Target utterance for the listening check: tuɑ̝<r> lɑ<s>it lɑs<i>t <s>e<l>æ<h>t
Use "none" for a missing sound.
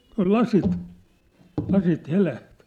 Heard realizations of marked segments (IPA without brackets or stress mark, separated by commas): l, s, i, h, l, h